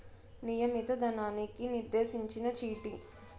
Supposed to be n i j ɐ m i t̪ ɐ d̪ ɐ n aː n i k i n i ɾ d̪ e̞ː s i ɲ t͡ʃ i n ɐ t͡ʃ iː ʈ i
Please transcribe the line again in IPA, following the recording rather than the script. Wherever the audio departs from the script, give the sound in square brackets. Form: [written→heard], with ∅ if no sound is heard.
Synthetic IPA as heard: n i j ɐ m i t̪ ɐ d̪ ɐ n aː n i k i n i ɾ d̪ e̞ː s i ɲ t͡ʃ i n ɐ t͡ʃ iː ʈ i